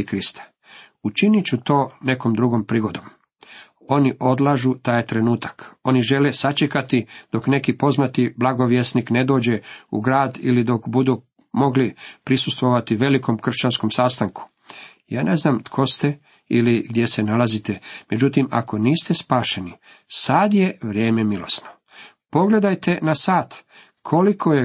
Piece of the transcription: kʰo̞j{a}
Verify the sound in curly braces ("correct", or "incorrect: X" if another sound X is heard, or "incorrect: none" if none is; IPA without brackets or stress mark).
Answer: incorrect: e